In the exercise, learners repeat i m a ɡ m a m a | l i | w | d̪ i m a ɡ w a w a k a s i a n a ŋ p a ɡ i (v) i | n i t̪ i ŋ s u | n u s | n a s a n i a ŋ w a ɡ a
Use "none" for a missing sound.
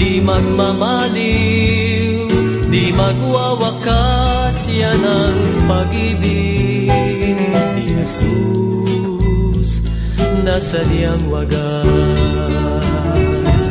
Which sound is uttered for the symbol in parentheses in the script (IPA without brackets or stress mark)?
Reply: b